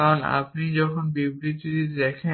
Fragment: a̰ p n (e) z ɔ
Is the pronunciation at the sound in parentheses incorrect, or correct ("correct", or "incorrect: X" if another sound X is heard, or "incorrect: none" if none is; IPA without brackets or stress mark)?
incorrect: i